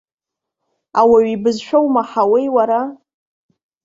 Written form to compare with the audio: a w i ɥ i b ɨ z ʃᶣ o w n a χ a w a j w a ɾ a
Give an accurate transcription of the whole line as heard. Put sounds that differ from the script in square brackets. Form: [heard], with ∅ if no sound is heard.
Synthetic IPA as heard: a w [a] ɥ i b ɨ z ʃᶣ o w [m] a [ħ] a w [e] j w a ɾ a